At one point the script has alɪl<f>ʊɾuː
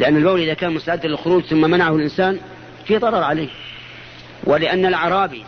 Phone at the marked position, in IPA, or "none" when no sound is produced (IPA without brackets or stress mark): x